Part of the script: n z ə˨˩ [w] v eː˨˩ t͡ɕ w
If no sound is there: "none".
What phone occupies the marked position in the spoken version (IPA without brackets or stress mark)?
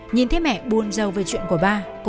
w